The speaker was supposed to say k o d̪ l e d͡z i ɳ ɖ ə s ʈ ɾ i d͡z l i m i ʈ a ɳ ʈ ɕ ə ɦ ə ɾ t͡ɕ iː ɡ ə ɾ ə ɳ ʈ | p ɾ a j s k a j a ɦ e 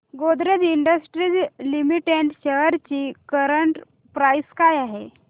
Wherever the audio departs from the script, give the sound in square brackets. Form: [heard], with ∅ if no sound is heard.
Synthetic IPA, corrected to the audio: [ɡ] o d̪ [ɾ] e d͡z i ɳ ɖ ə s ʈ ɾ i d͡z l i m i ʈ [e] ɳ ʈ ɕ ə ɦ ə ɾ t͡ɕ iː [k] ə ɾ ə ɳ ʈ | p ɾ a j s k a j a ɦ e